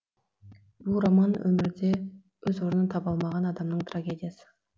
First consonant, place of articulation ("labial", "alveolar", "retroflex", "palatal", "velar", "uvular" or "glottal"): labial